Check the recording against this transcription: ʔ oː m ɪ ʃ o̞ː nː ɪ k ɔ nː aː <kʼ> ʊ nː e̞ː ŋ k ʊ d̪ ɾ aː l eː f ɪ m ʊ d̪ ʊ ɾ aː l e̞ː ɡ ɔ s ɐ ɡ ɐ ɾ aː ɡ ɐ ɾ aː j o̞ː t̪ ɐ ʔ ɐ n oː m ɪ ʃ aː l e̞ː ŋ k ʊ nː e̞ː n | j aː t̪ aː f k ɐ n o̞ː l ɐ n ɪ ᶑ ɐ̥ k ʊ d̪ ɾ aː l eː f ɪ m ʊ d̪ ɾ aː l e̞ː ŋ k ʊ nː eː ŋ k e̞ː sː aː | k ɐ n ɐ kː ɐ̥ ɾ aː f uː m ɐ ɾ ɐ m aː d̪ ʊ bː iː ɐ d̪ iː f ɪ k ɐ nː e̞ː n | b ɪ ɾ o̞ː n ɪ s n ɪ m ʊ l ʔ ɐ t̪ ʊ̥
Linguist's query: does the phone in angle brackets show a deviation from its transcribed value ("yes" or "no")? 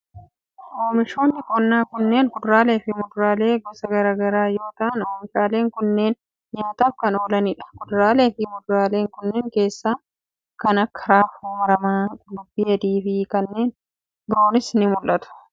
yes